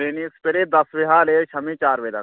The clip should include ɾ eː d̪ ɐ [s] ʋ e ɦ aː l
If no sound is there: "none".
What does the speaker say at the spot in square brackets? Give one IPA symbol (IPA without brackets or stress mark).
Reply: s